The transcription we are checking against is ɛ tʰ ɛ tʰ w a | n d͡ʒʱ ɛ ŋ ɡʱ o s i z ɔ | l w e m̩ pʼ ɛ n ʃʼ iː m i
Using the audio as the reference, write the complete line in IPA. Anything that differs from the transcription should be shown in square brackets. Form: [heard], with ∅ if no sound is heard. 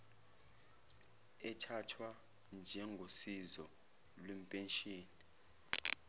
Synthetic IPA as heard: ɛ tʰ [a] tʰ w a | n d͡ʒʱ ɛ ŋ ɡʱ o s i z ɔ | l w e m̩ pʼ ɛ n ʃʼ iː [n] i

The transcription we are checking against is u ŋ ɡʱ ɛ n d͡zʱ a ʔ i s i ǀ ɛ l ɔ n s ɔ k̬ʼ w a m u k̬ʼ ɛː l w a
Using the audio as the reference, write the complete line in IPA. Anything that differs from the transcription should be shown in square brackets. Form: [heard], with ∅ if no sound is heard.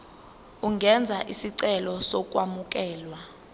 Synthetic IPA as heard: u ŋ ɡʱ ɛ n d͡zʱ a ʔ i s i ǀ ɛ l ɔ [∅] s ɔ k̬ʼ w a m u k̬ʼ ɛː l w a

